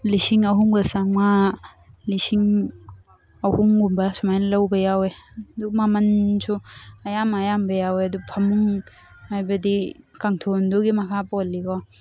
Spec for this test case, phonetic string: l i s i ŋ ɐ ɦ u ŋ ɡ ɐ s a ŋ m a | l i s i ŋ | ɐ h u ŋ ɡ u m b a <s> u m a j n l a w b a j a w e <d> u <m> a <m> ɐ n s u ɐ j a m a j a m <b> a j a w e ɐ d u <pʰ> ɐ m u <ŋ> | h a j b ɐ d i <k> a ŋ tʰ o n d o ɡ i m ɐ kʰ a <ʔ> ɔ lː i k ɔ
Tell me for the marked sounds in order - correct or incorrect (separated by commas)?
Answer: correct, correct, correct, correct, correct, correct, correct, correct, incorrect